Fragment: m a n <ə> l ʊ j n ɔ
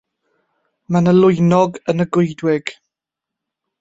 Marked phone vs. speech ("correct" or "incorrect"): correct